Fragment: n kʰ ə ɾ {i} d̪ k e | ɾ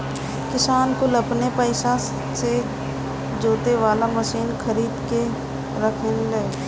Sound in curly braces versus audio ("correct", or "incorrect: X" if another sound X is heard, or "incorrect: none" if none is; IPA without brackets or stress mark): incorrect: iː